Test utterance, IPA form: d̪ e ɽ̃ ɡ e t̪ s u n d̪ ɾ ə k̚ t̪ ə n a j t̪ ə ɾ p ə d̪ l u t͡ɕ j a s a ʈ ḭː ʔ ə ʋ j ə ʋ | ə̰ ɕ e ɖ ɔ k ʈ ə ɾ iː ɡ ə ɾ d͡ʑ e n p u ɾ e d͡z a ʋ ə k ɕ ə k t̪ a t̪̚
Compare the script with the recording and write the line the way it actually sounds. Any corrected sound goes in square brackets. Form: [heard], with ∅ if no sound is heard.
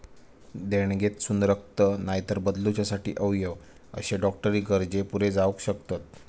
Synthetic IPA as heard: d̪ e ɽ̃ ɡ e t̪ s u n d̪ ɾ ə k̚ t̪ ə n a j t̪ ə ɾ [b] ə d̪ l u t͡ɕ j a s a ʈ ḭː ʔ ə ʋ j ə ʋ | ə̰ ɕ e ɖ ɔ k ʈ ə ɾ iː ɡ ə ɾ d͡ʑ e [∅] p u ɾ e d͡z a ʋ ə k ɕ ə k t̪ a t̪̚